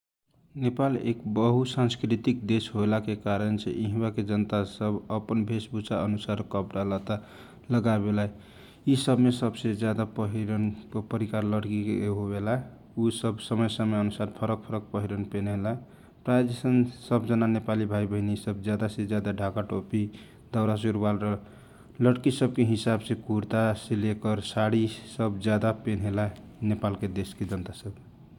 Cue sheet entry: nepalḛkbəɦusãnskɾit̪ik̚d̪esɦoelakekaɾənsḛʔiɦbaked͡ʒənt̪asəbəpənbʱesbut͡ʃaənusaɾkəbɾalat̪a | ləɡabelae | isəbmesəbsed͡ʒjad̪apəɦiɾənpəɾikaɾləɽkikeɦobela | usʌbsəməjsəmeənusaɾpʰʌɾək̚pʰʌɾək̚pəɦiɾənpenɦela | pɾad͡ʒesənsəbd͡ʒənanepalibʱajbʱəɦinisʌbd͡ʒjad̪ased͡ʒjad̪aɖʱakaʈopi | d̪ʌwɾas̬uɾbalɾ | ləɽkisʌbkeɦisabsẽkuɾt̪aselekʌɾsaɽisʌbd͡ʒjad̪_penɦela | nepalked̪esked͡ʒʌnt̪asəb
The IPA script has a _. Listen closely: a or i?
a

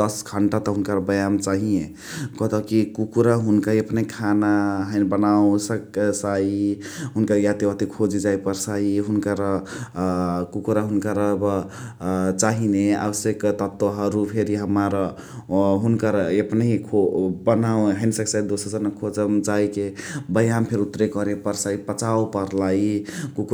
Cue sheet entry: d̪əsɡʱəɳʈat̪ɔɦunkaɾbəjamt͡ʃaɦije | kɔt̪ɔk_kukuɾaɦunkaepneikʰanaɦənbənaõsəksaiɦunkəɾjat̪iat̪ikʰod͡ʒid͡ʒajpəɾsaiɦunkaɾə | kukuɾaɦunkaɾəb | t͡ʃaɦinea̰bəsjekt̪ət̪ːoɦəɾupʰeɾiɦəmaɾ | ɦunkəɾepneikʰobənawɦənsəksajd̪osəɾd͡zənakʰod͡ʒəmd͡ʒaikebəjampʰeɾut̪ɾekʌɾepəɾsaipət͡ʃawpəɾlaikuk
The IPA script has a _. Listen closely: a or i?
i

